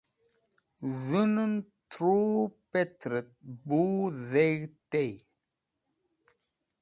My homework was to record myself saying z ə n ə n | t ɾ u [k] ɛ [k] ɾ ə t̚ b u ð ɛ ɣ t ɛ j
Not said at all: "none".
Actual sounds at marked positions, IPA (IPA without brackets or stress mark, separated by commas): p, t